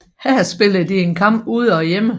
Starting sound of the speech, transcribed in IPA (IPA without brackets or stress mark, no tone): h